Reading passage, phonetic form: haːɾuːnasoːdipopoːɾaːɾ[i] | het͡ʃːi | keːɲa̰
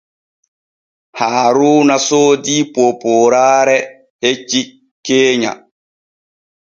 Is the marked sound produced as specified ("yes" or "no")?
no